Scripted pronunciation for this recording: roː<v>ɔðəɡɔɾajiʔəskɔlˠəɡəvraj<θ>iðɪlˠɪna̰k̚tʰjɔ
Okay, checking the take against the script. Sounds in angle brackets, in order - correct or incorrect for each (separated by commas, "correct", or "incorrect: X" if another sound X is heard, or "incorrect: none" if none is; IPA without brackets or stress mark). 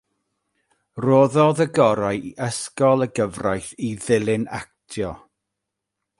incorrect: ð, correct